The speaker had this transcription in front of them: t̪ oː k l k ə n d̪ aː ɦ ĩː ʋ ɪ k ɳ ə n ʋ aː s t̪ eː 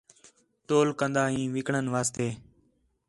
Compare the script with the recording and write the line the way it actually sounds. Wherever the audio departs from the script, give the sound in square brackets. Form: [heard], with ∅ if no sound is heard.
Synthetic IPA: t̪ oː [∅] l k ə n d̪ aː ɦ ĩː ʋ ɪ k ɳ ə n ʋ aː s t̪ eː